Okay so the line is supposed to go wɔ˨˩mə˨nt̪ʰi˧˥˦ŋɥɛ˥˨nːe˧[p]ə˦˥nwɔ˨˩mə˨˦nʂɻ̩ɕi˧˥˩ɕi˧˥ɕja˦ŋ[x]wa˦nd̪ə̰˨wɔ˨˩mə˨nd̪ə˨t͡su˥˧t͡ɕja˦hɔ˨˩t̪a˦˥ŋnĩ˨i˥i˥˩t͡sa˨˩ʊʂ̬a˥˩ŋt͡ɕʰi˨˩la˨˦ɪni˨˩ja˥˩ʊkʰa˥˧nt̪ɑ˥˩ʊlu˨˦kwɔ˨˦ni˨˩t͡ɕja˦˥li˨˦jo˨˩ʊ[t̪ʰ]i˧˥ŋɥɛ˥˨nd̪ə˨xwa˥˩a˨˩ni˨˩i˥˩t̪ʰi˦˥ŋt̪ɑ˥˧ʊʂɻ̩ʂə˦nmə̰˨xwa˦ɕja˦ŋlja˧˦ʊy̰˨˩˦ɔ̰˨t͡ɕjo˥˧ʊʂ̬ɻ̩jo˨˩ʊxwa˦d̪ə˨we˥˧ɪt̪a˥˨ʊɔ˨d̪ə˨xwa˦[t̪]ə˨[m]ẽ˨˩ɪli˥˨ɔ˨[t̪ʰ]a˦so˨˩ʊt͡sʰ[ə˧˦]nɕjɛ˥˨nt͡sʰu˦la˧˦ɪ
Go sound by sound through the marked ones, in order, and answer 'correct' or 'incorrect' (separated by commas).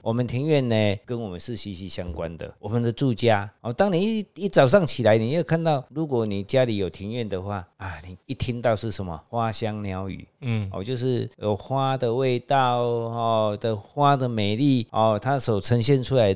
incorrect, incorrect, correct, incorrect, correct, correct, correct